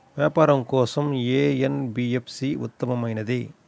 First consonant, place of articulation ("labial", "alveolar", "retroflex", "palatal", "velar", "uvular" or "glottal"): labial